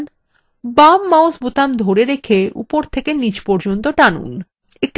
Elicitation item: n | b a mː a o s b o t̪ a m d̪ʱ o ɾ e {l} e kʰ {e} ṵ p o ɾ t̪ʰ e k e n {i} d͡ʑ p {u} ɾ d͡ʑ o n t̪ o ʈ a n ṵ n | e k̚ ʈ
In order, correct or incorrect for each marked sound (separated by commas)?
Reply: incorrect, correct, correct, incorrect